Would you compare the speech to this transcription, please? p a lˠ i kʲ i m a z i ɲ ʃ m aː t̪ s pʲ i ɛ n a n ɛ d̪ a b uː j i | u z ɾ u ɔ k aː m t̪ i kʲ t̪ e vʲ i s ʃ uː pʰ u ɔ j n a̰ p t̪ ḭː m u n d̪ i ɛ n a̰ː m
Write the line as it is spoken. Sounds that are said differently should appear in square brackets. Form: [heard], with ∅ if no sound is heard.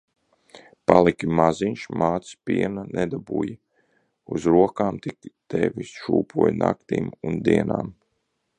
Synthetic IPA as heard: p a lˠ i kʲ i m a z i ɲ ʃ m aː t̪ s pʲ i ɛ n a n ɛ d̪ a b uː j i | u z ɾ u ɔ k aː m t̪ i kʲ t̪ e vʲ i s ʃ uː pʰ u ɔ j n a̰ [k] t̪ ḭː m u n d̪ i ɛ n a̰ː m